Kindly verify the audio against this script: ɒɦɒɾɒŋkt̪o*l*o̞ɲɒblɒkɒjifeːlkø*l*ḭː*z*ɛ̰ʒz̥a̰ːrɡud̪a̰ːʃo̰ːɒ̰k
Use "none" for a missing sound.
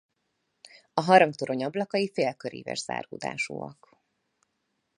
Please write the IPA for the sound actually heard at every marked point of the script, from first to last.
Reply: ɾ, ɾ, v

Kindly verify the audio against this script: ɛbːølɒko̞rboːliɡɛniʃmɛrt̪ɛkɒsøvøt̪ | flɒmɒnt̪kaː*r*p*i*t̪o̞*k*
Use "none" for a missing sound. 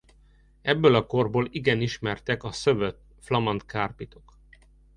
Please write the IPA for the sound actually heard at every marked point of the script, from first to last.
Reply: r, i, k

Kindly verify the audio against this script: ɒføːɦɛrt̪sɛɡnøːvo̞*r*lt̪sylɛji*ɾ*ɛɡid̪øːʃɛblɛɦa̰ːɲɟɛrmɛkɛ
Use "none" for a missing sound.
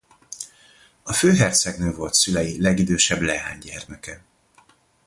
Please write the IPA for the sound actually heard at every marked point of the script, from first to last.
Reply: none, l

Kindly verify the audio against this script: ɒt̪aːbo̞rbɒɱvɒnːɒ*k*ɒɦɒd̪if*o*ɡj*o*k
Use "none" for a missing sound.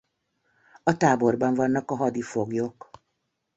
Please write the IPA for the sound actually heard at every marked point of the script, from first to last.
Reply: k, o, o

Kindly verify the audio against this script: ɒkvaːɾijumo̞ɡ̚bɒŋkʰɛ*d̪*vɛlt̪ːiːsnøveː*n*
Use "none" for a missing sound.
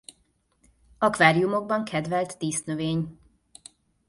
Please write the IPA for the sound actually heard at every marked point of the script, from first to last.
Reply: d̪, ɲ

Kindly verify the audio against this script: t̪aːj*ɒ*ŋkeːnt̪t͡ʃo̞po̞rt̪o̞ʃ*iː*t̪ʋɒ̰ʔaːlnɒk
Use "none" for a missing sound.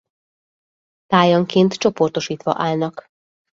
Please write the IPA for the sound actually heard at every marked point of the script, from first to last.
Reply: ɒ, iː

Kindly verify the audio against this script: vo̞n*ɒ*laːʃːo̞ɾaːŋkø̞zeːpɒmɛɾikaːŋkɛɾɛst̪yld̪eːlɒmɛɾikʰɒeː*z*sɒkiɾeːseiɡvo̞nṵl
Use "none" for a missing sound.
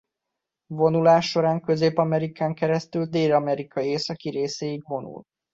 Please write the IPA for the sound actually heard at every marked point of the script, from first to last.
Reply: u, none

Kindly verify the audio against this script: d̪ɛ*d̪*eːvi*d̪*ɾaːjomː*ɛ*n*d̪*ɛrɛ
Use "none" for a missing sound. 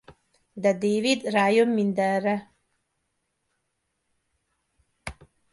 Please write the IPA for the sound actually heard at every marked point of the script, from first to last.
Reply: d̪, d̪, i, d̪

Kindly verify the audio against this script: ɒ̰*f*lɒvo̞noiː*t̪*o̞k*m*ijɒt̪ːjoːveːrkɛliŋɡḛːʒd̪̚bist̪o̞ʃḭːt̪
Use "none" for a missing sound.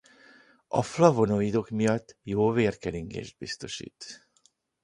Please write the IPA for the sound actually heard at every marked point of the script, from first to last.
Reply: f, d̪, m

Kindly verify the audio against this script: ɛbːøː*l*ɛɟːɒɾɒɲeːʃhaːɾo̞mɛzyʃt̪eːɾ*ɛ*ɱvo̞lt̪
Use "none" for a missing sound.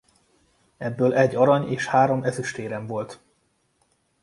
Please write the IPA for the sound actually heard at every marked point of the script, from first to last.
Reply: l, ɛ

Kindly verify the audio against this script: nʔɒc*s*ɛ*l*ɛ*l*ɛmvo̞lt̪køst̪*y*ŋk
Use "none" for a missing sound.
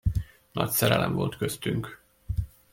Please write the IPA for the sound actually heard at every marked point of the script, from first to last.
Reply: s, ɾ, l, y

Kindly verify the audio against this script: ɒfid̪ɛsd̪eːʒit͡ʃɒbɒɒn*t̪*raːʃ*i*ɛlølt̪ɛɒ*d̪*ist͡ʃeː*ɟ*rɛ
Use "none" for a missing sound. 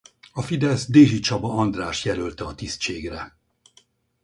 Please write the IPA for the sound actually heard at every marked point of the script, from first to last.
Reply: d̪, j, t̪, ɡ

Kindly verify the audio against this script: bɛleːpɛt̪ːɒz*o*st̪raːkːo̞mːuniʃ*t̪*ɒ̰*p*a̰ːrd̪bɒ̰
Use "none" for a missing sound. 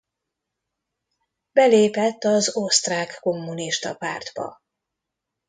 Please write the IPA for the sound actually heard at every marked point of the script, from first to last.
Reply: o, t̪, p

